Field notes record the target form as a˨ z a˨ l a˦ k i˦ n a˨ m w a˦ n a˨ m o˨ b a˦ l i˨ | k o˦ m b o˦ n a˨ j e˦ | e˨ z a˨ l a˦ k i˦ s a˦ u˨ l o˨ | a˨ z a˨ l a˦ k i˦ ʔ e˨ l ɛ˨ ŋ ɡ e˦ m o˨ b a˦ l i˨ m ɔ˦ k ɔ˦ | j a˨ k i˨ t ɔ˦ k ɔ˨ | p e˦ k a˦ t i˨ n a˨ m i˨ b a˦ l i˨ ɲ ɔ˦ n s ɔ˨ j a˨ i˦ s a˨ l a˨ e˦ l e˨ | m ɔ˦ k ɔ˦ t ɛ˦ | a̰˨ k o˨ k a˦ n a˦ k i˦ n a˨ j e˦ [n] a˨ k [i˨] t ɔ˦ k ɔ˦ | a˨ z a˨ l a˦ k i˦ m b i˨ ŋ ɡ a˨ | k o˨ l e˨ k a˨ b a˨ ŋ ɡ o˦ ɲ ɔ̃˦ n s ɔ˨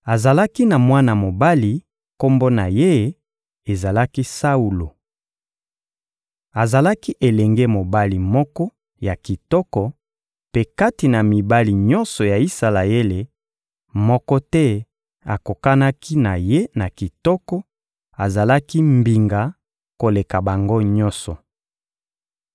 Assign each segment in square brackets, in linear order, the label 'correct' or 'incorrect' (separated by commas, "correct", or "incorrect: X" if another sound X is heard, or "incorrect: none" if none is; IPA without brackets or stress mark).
correct, correct